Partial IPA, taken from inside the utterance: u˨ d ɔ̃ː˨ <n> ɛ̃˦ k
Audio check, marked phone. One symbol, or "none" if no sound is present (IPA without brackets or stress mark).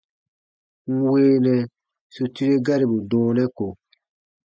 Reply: n